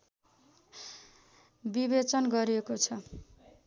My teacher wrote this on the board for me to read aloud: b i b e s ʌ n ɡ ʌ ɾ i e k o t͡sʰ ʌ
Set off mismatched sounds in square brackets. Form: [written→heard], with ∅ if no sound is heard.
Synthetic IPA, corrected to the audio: b i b e [s→t͡s] ʌ n ɡ ʌ ɾ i e k o t͡sʰ ʌ